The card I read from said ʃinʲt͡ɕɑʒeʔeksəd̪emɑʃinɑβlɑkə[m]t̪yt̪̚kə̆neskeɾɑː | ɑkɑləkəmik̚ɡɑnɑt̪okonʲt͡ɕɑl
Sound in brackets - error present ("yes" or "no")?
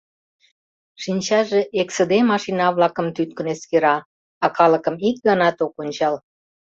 no